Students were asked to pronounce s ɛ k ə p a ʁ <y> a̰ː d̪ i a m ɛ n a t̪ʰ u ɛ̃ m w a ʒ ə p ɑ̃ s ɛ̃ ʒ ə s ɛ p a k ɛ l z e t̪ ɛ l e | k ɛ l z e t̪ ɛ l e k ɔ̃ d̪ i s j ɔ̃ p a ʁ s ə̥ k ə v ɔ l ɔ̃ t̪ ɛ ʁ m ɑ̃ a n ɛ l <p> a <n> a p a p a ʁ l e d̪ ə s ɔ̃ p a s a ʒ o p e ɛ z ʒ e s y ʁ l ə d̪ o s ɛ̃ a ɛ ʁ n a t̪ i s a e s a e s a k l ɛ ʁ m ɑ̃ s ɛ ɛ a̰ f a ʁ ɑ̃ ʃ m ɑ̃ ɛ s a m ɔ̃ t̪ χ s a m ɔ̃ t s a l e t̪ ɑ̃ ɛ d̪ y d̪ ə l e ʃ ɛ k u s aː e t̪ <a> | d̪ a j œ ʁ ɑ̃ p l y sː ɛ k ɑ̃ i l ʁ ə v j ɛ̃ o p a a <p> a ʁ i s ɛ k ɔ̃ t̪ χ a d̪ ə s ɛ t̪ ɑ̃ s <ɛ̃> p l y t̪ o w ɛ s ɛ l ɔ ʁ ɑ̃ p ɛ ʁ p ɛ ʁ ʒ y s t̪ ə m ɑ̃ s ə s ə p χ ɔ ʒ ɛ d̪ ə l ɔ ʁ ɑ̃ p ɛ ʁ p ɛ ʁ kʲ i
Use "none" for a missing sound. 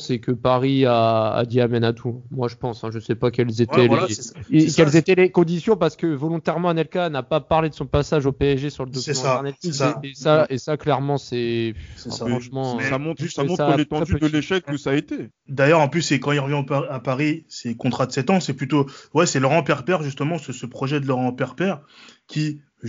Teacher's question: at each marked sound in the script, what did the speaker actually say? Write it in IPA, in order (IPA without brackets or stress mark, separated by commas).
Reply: i, k, n, e, p, ɛ